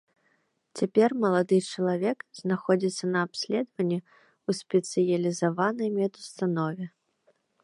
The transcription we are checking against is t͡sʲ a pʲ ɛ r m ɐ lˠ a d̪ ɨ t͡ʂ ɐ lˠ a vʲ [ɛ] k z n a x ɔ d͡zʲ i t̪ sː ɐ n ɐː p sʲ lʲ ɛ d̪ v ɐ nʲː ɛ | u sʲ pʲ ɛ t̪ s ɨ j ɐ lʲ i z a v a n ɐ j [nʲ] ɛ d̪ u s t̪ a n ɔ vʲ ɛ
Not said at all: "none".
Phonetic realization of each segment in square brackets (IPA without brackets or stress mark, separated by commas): ɛ, mʲ